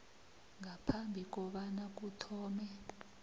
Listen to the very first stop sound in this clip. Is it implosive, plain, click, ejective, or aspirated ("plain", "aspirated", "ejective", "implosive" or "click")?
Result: aspirated